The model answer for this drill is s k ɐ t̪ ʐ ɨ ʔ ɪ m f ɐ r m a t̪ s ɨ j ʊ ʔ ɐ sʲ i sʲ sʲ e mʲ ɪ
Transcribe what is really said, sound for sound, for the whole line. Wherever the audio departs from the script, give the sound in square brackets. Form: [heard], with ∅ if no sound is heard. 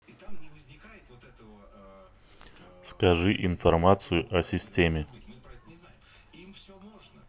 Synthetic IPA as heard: s k ɐ [∅] ʐ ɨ ʔ ɪ [n] f ɐ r m a t̪ s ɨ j ʊ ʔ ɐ sʲ [ɪ] sʲ [tʲ] e mʲ ɪ